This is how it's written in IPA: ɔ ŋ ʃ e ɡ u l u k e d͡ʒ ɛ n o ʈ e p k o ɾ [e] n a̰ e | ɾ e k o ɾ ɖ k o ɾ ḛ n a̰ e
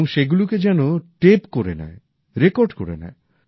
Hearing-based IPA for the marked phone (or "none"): e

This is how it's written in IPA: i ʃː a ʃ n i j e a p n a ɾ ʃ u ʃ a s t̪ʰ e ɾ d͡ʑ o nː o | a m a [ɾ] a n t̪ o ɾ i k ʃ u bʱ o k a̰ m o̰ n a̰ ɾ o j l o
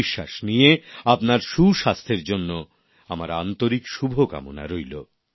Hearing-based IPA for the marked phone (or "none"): ɾ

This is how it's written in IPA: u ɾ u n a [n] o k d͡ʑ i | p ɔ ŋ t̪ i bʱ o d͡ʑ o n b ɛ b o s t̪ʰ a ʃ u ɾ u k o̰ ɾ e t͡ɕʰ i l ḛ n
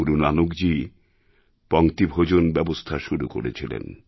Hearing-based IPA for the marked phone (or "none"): n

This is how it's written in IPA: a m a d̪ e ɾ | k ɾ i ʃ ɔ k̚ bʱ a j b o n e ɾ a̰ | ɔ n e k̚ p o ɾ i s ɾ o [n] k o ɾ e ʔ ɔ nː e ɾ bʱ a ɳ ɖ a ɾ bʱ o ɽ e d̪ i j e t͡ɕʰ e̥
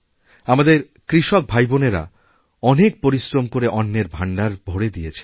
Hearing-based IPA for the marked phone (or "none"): m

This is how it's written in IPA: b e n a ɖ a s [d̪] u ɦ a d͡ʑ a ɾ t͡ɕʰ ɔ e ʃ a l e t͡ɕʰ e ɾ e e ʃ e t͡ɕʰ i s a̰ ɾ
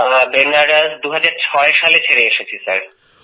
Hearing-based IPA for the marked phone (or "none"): d̪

